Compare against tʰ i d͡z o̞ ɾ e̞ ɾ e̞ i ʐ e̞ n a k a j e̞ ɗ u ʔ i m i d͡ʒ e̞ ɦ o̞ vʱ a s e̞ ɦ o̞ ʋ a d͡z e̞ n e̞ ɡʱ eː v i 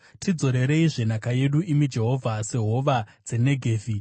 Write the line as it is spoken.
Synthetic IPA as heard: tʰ i d͡z o̞ ɾ e̞ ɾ e̞ i ʐ e̞ n a k a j e̞ ɗ u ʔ i m i d͡ʒ e̞ ɦ o̞ vʱ a s e̞ ɦ o̞ ʋ a d͡z e̞ n e̞ ɡʱ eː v i